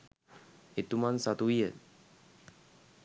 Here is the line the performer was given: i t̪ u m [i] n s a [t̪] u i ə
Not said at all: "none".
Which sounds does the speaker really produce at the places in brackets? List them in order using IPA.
a, t̪

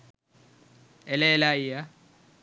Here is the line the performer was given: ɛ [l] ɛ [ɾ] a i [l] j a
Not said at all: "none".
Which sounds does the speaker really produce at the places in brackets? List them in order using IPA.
l, l, none

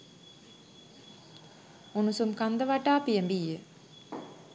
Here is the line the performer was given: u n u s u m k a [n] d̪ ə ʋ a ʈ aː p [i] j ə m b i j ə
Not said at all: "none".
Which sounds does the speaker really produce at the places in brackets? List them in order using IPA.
n, i

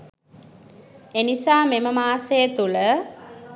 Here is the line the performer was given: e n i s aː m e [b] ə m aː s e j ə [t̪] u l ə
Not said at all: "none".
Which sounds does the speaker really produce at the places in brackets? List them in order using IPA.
m, t̪

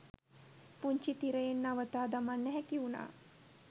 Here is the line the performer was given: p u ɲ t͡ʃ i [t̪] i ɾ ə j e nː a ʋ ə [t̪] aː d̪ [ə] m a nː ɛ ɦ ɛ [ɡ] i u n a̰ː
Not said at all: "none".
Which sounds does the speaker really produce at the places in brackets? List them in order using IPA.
t̪, t̪, a, k

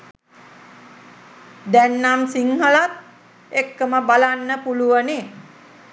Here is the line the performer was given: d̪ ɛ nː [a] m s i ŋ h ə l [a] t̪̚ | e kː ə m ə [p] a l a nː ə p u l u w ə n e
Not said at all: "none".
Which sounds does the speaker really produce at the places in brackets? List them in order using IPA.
a, a, b

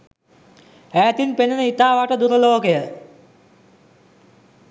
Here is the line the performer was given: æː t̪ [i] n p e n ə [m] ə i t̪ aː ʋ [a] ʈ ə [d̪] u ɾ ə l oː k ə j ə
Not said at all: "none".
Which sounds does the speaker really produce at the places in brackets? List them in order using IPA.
i, n, a, d̪

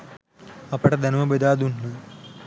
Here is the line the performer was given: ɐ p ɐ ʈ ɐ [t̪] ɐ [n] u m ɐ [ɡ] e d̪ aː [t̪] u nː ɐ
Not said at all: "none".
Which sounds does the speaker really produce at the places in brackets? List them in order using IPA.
d̪, n, b, d̪

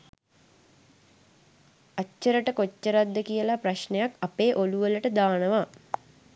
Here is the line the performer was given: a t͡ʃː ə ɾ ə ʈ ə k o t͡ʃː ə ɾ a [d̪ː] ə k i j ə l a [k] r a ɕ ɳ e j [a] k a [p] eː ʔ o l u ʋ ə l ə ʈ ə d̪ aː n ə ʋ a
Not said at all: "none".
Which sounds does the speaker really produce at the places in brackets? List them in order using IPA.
d̪ː, p, a, p

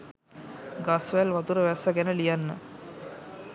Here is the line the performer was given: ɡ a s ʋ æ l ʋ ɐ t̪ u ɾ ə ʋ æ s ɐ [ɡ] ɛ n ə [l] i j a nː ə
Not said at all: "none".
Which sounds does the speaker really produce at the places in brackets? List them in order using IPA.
ɡ, l

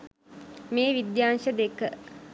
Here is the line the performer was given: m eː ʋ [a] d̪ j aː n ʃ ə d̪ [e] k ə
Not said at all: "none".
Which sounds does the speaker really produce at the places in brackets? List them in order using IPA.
i, e

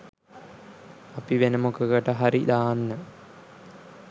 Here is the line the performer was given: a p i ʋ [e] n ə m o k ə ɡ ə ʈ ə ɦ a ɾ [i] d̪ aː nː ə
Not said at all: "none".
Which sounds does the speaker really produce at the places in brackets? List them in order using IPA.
e, i

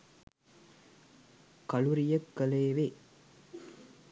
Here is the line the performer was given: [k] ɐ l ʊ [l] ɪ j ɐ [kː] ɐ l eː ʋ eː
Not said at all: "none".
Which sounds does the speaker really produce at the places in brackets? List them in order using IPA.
k, ɾ, kː

